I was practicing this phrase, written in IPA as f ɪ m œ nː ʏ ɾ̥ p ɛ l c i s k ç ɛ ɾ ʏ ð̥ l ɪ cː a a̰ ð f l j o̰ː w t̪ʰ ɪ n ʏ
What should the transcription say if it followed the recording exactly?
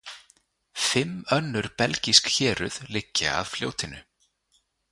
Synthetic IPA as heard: f ɪ m œ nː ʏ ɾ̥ p ɛ l c i s k ç ɛː ɾ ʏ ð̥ l ɪ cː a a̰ ð f l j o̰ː w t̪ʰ ɪ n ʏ